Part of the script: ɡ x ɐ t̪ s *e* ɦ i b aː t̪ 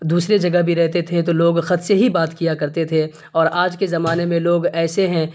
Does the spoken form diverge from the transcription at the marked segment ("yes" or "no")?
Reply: no